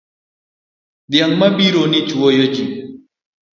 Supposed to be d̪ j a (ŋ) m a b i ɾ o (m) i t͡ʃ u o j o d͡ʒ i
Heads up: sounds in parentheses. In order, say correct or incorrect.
correct, incorrect: n

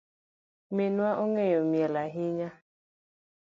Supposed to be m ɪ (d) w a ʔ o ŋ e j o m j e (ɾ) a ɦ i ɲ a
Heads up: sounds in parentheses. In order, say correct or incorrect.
incorrect: n, incorrect: l

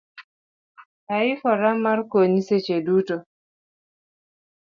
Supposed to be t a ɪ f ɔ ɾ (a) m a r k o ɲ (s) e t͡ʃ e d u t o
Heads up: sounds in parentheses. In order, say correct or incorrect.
correct, correct

